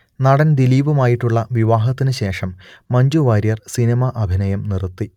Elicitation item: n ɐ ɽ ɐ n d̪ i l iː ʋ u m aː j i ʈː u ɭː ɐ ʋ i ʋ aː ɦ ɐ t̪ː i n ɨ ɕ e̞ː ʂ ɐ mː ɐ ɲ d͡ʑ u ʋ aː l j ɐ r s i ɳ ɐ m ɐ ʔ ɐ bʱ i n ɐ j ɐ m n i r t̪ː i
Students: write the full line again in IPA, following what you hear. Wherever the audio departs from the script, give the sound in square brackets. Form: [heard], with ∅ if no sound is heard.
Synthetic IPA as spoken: n ɐ ɽ ɐ n d̪ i l iː ʋ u m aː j i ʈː u ɭː ɐ ʋ i ʋ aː ɦ ɐ t̪ː i n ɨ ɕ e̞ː ʂ ɐ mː ɐ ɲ d͡ʑ u ʋ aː [ɾ] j ɐ r s i [n] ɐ m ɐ ʔ ɐ bʱ i n ɐ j ɐ m n i r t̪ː i